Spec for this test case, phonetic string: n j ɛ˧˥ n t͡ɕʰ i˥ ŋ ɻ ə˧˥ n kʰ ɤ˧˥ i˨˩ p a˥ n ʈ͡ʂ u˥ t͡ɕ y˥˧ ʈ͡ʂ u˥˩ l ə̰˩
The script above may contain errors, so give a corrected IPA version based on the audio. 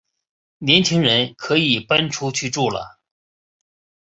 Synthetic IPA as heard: n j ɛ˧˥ n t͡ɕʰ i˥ ŋ ɻ ə˧˥ n kʰ ɤ˧˥ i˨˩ p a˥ n ʈ͡ʂʰ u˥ t͡ɕʰ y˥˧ ʈ͡ʂ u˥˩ l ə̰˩